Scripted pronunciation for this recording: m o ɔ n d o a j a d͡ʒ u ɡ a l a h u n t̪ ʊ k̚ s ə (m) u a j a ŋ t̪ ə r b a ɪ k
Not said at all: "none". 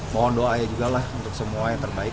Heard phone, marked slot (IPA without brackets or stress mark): m